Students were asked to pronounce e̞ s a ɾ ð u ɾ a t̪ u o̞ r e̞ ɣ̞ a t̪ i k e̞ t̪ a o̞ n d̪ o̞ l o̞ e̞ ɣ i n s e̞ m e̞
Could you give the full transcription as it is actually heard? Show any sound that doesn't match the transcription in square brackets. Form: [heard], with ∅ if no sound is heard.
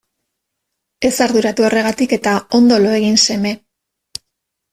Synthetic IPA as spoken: e̞ s a ɾ ð u ɾ a t̪ u o̞ r e̞ ɣ̞ a t̪ i k e̞ t̪ a o̞ n d̪ o̞ l o̞ e̞ ɣ i n s e̞ m e̞